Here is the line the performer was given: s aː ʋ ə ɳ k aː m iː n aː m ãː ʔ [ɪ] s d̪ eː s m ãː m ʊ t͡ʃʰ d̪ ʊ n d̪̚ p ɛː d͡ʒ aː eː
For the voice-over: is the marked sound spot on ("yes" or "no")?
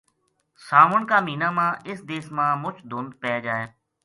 yes